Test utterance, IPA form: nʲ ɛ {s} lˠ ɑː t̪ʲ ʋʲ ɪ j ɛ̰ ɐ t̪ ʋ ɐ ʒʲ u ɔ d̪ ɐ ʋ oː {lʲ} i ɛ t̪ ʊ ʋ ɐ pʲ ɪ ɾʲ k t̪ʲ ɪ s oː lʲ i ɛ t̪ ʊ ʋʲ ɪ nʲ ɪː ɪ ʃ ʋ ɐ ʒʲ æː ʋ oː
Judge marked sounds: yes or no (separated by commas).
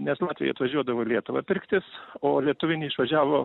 yes, yes